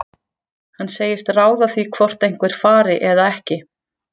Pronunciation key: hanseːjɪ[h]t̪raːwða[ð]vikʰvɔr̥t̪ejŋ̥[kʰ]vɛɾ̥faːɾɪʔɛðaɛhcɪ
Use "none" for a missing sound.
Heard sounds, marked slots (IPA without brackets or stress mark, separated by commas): s, θ, k